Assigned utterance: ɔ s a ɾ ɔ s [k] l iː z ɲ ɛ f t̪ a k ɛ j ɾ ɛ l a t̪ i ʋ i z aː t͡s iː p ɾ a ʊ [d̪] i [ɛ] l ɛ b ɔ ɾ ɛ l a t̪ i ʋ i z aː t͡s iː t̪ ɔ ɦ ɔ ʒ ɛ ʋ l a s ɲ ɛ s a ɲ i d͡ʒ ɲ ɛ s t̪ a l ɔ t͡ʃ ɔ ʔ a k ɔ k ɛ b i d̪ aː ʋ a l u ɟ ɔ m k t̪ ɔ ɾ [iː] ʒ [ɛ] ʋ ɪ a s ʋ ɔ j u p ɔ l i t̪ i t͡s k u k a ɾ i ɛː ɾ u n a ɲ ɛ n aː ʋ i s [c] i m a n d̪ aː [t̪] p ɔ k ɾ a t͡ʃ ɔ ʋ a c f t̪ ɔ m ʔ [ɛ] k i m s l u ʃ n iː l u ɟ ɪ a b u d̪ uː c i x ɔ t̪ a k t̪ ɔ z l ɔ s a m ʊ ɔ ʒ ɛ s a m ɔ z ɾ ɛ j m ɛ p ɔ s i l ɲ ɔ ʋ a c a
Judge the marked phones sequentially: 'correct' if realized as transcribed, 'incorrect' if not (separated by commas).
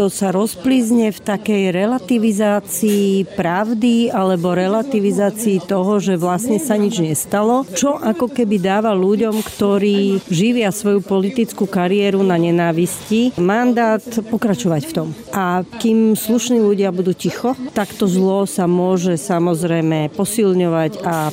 incorrect, correct, incorrect, correct, incorrect, correct, correct, incorrect